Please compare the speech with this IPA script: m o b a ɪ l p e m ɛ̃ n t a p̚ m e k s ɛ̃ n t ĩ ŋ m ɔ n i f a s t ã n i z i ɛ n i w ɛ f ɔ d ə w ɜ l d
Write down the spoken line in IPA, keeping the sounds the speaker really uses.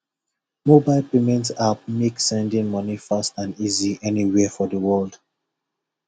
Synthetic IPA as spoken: m o b a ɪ l p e m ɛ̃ n t a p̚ m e k s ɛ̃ n d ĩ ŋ m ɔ n i f a s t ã n i z i ɛ n i w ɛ f ɔ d ə w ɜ l d